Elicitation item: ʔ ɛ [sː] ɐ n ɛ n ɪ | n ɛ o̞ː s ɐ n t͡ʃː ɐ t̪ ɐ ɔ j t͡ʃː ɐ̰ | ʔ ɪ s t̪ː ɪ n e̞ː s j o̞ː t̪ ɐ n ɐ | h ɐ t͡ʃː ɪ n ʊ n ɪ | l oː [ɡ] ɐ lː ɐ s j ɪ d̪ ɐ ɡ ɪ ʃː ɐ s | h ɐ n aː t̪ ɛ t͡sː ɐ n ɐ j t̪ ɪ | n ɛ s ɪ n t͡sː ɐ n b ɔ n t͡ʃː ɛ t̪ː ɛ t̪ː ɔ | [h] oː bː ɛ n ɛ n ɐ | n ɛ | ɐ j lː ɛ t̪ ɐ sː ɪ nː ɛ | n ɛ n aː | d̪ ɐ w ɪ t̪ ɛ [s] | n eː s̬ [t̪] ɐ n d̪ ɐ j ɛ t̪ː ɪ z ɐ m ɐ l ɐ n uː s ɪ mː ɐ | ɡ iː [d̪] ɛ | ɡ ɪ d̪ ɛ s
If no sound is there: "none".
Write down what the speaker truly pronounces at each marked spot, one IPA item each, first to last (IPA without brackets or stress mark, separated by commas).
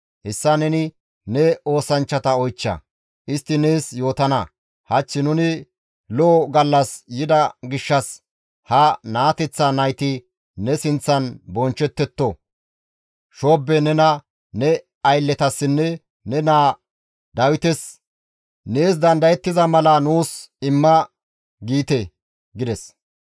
sː, ɡ, ʃ, s, d̪, t̪